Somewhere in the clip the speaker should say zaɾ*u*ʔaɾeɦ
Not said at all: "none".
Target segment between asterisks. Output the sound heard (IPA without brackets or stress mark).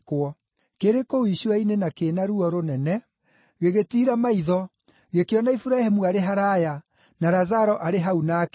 ɔ